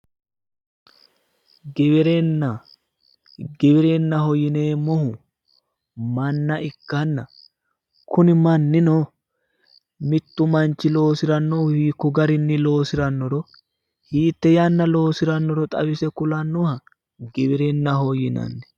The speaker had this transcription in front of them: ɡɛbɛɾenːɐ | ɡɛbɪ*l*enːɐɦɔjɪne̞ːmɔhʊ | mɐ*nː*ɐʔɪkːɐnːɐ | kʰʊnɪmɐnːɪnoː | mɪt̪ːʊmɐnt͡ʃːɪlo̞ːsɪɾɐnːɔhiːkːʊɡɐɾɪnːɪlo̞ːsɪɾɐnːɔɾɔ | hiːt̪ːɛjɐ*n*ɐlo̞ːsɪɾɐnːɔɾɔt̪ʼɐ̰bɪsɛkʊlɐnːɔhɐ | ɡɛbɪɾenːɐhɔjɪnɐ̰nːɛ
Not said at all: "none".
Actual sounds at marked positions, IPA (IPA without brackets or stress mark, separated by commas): ɾ, nː, nː